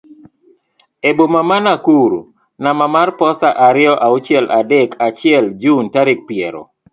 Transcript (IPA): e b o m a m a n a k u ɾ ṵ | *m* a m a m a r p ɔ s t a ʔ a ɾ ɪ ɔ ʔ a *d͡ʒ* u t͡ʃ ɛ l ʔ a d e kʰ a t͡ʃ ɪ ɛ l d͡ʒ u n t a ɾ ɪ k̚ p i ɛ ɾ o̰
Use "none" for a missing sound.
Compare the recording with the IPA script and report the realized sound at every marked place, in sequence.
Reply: n, none

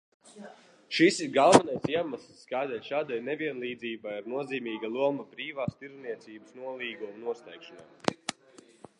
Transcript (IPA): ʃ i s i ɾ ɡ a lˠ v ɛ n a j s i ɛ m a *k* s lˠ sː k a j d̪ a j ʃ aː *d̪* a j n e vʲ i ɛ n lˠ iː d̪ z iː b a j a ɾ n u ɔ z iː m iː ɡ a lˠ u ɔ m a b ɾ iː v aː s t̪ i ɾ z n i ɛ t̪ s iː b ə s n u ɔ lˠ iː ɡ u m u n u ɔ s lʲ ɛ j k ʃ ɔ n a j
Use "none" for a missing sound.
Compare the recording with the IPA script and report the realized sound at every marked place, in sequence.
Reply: none, d̪

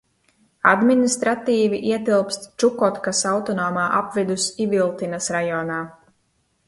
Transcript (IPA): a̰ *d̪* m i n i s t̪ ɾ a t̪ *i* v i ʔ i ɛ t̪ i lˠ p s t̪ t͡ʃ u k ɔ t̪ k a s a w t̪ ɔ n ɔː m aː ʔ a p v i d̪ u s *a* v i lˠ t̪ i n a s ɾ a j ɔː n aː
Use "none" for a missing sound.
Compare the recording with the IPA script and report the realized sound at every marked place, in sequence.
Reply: d̪, iː, i

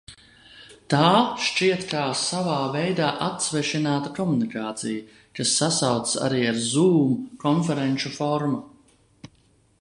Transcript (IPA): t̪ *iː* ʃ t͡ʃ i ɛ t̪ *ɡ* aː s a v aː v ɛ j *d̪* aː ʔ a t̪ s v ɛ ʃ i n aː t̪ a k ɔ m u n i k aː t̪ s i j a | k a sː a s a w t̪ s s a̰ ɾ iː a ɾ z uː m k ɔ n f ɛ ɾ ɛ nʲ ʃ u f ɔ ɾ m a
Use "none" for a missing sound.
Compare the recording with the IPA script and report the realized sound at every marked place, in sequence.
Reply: aː, k, d̪

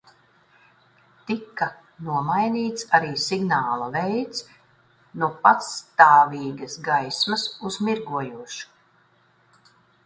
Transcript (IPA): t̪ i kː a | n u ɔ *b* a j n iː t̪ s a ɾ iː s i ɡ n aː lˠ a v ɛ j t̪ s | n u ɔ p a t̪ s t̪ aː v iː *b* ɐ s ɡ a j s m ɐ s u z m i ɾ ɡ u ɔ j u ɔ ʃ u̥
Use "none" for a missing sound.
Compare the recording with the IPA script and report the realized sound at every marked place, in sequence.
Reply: m, ɡ

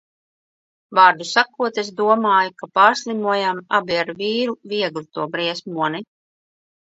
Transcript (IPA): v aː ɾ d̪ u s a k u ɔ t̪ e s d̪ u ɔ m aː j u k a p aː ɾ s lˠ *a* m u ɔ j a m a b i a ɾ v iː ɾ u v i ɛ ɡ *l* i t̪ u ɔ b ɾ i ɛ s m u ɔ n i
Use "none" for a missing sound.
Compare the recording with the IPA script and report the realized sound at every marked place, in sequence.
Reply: i, l

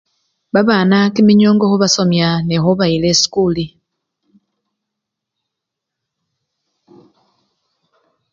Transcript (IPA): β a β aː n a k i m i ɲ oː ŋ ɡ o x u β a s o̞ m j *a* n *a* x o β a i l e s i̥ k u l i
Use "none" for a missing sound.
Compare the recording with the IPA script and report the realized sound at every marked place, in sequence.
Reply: a, e

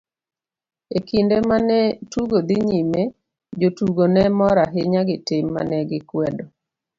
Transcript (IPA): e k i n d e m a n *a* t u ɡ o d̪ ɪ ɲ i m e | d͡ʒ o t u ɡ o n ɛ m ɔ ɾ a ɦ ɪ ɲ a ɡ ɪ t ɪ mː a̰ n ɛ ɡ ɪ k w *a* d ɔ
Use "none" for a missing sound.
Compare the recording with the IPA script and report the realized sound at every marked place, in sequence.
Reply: ɛ, ɛ

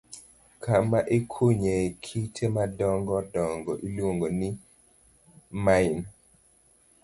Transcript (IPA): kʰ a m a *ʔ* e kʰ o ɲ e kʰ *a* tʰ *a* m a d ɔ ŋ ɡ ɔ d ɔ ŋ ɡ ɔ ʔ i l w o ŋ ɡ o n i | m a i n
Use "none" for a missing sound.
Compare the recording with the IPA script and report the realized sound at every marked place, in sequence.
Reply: ʔ, i, e

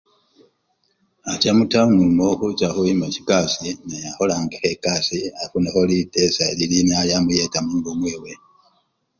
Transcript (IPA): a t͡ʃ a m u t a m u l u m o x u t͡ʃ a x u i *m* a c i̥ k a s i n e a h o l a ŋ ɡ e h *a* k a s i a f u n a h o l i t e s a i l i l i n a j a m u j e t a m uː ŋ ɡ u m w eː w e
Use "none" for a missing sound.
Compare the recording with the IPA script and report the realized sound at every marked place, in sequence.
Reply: m, e

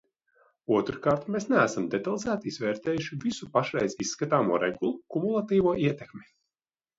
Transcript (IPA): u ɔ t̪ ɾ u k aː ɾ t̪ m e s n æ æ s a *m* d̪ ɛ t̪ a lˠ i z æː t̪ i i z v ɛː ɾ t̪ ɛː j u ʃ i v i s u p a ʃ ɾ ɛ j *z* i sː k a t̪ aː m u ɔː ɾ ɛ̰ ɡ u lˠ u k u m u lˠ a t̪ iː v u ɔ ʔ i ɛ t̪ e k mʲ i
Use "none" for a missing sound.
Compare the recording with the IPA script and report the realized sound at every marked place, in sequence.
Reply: m, z

